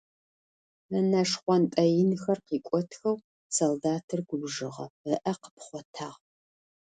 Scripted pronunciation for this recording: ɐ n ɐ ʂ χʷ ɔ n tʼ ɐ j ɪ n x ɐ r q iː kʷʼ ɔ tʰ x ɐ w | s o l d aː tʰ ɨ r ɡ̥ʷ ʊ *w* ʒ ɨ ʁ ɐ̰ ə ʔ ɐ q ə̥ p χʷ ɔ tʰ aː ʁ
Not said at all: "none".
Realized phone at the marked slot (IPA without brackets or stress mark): b